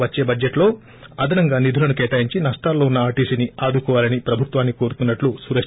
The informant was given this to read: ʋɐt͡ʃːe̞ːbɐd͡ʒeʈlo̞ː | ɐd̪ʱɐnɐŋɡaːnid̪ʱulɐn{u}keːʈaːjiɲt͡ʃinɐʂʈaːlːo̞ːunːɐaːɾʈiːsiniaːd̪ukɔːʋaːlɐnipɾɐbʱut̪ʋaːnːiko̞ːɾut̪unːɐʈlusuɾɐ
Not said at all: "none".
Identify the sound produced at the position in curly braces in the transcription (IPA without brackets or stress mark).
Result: u